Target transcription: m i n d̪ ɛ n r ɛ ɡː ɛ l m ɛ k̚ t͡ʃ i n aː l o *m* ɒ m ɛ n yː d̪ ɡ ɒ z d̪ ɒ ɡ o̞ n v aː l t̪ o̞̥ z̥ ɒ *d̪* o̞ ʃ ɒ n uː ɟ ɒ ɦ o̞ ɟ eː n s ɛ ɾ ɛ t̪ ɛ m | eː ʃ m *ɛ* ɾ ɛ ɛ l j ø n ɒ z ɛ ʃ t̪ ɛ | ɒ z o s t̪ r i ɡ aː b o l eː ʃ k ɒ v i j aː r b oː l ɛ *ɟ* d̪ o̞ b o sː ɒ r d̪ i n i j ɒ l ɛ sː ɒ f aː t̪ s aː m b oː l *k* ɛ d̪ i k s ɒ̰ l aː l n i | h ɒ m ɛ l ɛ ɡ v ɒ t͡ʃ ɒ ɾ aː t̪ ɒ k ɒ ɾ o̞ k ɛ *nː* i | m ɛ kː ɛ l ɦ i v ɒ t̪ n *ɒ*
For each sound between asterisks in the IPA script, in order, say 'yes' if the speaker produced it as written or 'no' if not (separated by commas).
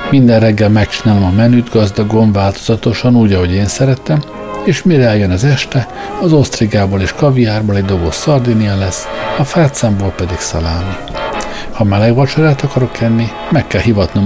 yes, no, no, yes, no, yes, no